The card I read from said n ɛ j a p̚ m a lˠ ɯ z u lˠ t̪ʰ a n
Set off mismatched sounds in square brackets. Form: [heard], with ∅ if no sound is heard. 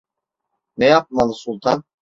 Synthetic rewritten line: n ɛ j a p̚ m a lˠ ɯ [s] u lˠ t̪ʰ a n